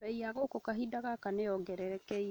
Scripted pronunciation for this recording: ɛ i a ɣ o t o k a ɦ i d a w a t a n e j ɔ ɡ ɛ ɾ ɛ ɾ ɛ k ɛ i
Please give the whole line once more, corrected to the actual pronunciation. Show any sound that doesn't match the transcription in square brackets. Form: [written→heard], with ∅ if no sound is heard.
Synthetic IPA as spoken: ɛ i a ɣ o [t→k] o k a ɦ i d a [w→ɣ] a [t→k] a n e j ɔ ɡ ɛ ɾ ɛ ɾ ɛ k ɛ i